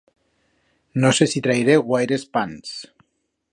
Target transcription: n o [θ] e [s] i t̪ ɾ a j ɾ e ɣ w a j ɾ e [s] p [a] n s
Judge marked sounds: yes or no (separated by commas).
no, yes, yes, yes